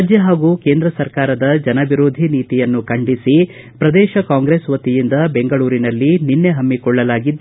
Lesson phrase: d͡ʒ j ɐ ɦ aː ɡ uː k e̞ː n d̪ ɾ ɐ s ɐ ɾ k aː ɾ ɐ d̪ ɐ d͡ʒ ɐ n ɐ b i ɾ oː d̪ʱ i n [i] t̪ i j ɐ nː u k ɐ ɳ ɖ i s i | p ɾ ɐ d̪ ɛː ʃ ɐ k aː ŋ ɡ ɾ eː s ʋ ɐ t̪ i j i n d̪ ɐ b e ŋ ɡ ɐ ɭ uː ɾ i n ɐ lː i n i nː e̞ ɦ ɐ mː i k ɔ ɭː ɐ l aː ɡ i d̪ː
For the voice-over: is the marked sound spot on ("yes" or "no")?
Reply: no